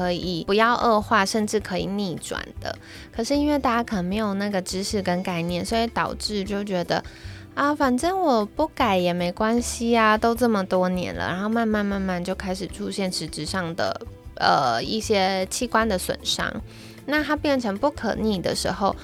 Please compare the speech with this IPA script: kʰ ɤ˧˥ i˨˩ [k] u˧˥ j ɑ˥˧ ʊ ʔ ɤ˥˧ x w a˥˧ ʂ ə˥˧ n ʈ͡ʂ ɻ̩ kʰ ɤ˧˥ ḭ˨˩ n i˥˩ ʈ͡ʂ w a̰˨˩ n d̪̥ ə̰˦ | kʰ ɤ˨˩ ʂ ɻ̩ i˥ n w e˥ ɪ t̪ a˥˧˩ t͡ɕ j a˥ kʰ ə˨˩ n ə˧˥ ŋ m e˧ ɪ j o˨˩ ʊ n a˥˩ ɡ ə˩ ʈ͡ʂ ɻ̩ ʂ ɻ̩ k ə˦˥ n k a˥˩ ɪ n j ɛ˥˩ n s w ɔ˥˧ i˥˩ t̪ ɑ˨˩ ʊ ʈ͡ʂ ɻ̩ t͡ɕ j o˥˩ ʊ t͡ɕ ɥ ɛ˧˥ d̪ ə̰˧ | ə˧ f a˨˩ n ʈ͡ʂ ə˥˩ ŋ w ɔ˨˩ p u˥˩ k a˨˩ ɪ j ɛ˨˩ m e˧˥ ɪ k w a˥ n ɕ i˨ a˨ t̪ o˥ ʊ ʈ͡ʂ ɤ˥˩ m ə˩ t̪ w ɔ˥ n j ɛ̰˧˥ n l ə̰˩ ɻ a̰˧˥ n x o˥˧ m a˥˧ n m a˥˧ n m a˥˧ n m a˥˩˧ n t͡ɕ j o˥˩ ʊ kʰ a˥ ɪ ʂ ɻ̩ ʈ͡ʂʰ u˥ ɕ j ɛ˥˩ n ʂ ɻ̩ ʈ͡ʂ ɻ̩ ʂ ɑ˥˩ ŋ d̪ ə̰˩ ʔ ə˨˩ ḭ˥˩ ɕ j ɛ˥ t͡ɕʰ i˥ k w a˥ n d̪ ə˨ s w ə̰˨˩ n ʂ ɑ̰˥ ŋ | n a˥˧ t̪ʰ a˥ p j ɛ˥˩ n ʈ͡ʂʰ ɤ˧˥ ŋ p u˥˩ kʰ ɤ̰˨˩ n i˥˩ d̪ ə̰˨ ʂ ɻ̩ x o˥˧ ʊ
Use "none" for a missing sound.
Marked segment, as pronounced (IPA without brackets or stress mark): p